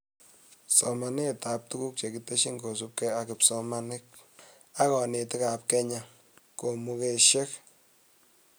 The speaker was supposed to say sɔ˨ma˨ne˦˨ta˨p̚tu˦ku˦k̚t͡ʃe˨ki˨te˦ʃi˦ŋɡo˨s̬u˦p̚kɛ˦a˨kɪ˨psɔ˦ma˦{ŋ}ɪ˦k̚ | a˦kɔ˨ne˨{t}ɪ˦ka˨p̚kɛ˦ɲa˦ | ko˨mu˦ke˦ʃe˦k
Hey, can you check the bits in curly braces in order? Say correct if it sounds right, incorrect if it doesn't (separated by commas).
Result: incorrect, correct